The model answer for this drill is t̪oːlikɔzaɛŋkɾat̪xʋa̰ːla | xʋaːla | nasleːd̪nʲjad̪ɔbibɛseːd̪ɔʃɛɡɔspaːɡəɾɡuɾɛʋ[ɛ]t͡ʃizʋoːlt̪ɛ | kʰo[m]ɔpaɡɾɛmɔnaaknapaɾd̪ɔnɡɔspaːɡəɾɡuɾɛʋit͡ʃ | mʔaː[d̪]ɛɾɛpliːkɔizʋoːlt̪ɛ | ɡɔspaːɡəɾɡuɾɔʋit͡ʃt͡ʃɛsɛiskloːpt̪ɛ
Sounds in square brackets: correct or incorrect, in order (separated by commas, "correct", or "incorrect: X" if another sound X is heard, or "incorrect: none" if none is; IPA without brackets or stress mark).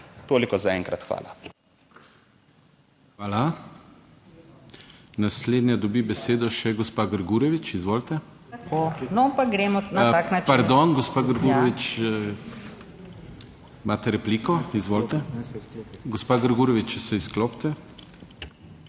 incorrect: i, incorrect: n, incorrect: t̪